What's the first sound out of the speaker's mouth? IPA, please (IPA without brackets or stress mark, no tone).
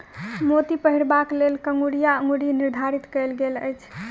m